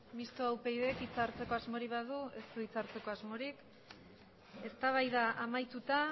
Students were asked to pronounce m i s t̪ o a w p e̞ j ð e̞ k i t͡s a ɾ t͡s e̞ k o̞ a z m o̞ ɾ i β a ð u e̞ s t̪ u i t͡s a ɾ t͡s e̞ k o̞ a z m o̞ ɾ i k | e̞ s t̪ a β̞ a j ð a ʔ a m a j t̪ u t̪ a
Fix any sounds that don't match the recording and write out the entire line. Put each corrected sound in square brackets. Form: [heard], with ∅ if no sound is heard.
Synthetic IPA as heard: m i s t̪ o a w p e̞ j ð e̞ k i t͡s a ɾ t͡s e̞ k o̞ a z m o̞ ɾ i β a ð u e̞ s t̪ u i t͡s a ɾ t͡s e̞ k o̞ a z m o̞ ɾ i k | e̞ s t̪ a β̞ a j ð a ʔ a m a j t̪ u t̪ a